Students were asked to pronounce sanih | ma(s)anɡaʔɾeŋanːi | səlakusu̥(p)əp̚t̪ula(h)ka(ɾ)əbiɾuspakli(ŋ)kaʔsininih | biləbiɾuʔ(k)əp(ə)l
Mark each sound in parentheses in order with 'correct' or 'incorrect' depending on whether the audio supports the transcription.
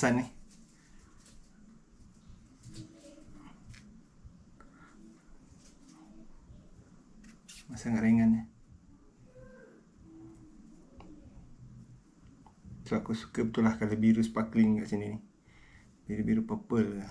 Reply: correct, incorrect, correct, incorrect, correct, incorrect, correct

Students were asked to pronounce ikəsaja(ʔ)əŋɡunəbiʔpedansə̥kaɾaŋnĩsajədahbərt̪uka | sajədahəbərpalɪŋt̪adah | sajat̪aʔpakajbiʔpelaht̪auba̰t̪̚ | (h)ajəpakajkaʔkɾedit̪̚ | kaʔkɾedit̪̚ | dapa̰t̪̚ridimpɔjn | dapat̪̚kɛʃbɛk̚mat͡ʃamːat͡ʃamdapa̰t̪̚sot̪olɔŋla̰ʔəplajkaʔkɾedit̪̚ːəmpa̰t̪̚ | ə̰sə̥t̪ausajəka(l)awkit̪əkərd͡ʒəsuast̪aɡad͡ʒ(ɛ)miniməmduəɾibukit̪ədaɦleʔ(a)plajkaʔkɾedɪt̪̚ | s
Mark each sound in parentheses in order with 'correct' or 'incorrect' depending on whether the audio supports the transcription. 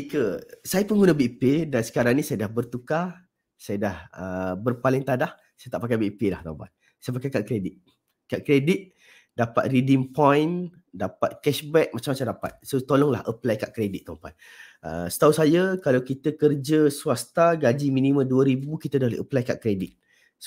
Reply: incorrect, incorrect, correct, incorrect, incorrect

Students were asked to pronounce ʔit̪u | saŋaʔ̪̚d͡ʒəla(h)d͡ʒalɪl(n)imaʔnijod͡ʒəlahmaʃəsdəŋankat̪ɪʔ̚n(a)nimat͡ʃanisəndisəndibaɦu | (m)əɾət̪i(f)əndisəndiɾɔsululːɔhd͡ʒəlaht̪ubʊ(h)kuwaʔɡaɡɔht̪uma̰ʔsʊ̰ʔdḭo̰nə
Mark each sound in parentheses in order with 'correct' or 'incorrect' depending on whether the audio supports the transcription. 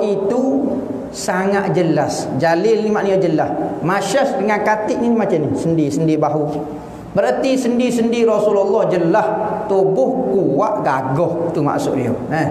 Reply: incorrect, correct, incorrect, incorrect, incorrect, correct

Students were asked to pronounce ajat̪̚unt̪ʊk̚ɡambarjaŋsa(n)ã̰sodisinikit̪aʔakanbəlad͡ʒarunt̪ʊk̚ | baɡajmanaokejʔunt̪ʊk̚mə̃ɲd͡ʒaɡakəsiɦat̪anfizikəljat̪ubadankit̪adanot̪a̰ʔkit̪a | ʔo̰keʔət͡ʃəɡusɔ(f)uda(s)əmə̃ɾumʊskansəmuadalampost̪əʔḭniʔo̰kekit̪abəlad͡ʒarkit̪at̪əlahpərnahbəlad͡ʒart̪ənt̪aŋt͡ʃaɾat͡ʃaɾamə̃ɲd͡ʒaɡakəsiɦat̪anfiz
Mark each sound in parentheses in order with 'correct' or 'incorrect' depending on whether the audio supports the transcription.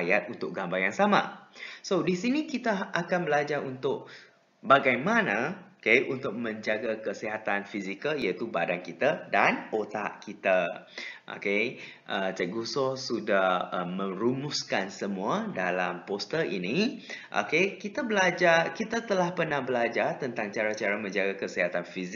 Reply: incorrect, incorrect, incorrect

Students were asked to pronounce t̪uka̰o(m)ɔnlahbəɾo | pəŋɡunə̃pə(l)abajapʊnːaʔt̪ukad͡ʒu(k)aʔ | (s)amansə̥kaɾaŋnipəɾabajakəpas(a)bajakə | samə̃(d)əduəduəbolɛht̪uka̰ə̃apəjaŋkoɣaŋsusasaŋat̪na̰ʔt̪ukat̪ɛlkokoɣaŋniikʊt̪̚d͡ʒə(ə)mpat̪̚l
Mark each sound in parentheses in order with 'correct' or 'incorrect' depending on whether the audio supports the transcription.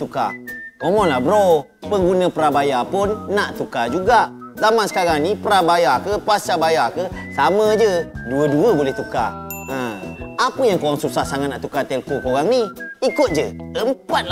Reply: correct, incorrect, incorrect, incorrect, correct, incorrect, correct

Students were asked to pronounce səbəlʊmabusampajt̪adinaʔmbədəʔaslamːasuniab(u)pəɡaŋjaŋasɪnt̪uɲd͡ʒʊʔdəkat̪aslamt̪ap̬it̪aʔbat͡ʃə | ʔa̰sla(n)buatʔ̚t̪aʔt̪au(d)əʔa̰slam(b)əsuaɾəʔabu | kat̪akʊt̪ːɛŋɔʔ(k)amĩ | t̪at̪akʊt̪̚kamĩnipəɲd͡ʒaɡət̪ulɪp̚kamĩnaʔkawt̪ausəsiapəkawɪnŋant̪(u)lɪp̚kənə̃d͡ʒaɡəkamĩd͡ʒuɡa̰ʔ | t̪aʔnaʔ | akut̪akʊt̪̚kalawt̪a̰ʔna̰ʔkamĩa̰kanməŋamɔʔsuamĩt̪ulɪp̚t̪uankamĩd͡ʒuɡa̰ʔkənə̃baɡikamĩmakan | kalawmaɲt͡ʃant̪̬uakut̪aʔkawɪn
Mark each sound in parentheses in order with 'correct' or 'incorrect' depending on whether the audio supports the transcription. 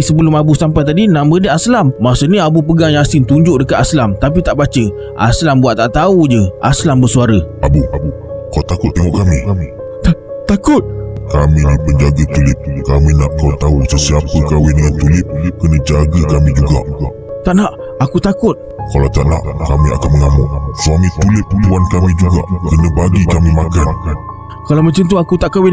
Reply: correct, incorrect, incorrect, correct, correct, correct

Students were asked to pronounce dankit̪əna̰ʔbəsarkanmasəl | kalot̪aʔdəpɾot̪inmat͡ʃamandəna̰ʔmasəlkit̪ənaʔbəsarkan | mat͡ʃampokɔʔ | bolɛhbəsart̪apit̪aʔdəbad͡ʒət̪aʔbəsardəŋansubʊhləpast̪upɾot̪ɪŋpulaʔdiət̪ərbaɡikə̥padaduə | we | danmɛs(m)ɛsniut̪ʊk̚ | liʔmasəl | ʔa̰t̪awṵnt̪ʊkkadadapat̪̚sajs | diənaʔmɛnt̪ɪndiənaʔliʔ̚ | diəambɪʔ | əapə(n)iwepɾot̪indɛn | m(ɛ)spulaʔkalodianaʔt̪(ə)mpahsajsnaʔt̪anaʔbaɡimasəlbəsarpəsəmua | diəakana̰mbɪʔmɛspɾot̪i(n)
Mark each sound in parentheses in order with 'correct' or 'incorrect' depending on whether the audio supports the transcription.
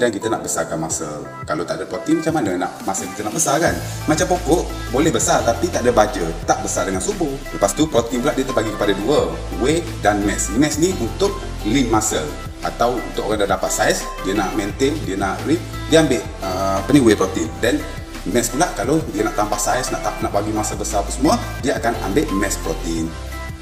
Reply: correct, correct, correct, incorrect, correct

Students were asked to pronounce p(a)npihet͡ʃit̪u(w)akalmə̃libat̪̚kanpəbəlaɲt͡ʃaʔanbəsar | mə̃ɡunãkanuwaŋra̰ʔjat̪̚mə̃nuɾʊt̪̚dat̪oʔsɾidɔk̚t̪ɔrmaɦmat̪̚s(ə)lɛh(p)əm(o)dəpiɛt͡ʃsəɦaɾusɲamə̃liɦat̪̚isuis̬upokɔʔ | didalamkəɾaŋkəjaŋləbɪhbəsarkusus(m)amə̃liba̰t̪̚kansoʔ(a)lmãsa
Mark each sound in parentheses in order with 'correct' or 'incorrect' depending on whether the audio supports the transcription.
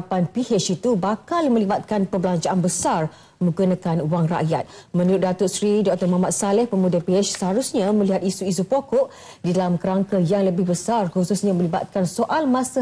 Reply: correct, incorrect, incorrect, correct, incorrect, incorrect, correct

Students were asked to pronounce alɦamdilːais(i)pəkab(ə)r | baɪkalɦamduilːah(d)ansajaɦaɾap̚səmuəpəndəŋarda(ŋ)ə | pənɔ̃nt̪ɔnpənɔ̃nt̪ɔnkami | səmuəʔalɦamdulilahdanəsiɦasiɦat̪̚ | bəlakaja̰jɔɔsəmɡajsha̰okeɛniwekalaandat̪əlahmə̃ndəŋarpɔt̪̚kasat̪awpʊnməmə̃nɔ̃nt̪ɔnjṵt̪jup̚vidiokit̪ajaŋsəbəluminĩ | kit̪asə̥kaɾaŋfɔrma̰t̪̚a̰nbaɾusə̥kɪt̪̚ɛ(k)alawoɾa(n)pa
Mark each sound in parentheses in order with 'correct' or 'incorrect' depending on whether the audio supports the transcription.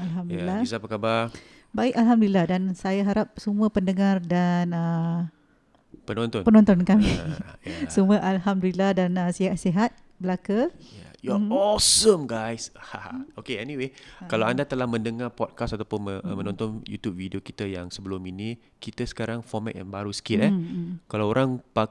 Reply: incorrect, incorrect, correct, incorrect, correct, incorrect

